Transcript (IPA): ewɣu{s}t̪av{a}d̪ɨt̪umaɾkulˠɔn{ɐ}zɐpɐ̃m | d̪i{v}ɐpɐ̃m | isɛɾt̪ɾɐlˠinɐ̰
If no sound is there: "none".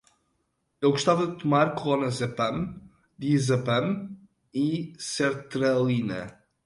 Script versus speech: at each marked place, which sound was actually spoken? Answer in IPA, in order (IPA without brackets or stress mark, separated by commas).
ʃ, ɐ, ɐ, z